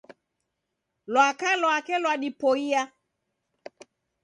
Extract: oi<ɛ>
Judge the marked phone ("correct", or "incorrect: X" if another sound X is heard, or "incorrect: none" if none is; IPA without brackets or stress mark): incorrect: a